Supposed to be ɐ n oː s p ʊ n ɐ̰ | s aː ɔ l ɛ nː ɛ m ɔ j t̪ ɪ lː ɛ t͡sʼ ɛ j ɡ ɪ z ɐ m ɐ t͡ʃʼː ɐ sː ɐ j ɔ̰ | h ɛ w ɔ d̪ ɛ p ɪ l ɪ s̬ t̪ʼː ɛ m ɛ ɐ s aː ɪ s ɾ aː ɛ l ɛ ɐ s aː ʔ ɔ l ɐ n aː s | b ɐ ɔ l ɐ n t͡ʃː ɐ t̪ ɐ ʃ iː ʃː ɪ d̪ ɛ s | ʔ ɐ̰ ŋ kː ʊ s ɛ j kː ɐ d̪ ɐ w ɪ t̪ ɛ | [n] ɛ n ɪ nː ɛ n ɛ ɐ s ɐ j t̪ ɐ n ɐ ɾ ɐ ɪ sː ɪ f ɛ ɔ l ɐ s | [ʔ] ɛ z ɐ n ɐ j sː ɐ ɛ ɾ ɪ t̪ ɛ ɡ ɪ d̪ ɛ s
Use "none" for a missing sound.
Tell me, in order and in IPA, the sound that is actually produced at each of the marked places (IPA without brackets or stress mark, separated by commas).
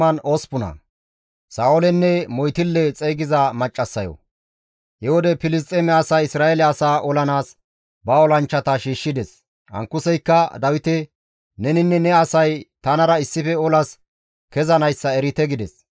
n, k